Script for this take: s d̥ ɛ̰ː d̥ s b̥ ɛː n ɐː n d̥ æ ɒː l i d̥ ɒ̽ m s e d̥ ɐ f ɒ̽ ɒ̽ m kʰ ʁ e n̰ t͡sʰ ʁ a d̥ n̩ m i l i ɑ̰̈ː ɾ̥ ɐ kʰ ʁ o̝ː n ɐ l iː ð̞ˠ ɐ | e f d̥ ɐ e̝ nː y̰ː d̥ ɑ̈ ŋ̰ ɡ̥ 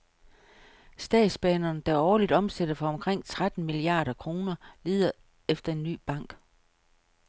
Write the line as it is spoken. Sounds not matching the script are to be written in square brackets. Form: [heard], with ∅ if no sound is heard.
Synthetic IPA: s d̥ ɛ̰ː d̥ s b̥ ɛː n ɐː n d̥ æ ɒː l i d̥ ɒ̽ m s e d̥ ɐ f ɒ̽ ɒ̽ m kʰ ʁ e [ŋ̰] t͡sʰ ʁ a d̥ n̩ m i l i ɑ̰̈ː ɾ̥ ɐ kʰ ʁ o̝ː n ɐ l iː ð̞ˠ ɐ | e f d̥ ɐ e̝ nː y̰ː [b̥] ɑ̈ ŋ̰ ɡ̥